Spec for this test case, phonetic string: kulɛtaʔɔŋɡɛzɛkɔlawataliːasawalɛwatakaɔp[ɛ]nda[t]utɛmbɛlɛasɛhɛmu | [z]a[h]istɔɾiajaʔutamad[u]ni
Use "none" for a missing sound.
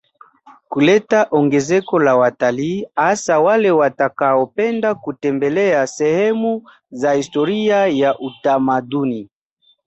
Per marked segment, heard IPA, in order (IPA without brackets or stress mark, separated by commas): ɛ, k, z, h, u